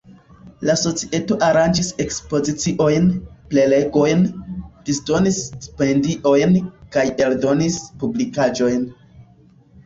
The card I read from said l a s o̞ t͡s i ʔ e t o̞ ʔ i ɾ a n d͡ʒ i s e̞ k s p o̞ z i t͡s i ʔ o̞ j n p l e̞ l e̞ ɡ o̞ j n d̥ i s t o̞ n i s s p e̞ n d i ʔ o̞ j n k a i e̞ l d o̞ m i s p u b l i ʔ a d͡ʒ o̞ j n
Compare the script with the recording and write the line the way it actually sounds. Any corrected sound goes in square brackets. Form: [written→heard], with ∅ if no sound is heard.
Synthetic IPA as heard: l a s o̞ t͡s i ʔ e t o̞ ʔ [i→a] ɾ a n d͡ʒ i s e̞ k s p o̞ z i t͡s i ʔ o̞ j n p l e̞ l e̞ ɡ o̞ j n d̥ i s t o̞ n i s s p e̞ n d i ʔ o̞ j n k a [i→j] e̞ l d o̞ [m→n] i s p u b l i [ʔ→k] a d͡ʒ o̞ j n